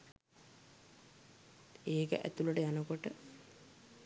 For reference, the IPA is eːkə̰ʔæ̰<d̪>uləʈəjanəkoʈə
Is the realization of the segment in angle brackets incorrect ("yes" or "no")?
yes